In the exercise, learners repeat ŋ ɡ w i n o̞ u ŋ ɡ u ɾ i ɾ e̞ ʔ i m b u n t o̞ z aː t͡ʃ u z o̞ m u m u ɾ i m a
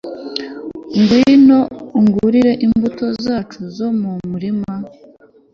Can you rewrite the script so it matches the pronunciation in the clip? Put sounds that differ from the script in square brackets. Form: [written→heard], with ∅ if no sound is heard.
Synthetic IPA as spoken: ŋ ɡ w i n o̞ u ŋ ɡ u ɾ i ɾ e̞ ʔ i m b u [n→∅] t o̞ z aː t͡ʃ u z o̞ m u m u ɾ i m a